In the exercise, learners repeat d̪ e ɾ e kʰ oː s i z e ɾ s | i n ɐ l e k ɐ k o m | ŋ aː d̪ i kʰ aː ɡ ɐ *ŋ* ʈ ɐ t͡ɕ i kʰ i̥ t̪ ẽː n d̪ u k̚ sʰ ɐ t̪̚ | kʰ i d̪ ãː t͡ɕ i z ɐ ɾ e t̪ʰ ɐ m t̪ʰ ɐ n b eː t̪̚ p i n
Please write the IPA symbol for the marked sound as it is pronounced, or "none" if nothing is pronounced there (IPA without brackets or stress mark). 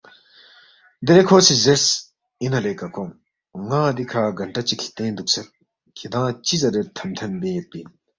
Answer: ɳ